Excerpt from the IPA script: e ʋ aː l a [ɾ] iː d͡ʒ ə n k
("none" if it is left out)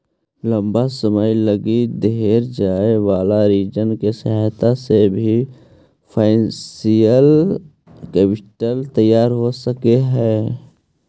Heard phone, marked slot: ɾ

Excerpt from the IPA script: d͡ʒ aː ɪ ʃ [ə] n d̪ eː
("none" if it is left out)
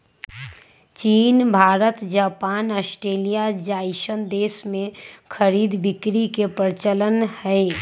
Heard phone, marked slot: ə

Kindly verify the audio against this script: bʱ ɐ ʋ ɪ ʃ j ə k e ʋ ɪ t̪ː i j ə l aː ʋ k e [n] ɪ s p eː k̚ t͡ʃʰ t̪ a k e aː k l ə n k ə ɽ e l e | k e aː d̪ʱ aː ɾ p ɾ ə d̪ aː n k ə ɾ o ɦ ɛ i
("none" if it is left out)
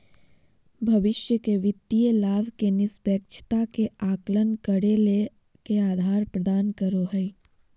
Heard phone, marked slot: n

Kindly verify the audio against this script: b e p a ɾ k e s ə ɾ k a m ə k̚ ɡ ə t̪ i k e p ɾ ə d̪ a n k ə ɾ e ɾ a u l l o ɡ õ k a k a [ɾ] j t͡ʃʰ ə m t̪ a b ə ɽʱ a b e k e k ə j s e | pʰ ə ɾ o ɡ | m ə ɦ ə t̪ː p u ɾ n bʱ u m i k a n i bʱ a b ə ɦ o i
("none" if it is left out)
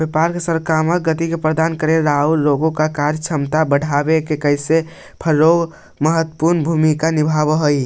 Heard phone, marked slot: ɾ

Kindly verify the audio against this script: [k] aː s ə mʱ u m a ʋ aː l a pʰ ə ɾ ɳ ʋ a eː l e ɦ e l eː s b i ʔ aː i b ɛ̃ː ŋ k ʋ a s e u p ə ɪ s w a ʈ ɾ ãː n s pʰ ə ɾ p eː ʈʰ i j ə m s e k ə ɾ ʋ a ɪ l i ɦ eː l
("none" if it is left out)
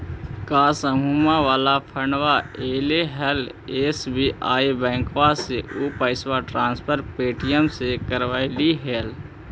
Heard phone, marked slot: k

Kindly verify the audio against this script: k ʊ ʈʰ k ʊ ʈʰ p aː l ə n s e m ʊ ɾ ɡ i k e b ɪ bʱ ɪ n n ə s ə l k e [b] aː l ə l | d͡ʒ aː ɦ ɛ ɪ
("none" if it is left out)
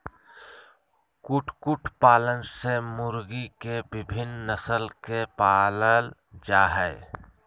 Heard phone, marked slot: p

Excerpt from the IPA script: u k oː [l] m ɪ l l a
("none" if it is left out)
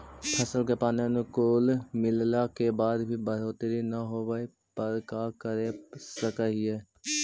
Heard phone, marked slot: l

